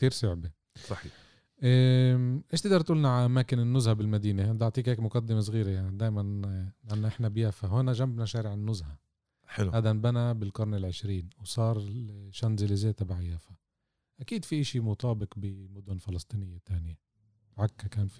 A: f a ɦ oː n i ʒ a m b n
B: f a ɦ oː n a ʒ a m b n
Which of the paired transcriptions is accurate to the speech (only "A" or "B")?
B